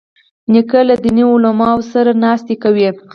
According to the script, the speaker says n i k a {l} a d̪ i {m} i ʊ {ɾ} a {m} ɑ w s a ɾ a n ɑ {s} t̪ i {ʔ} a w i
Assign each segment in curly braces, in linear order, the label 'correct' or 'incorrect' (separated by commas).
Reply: correct, incorrect, incorrect, correct, correct, incorrect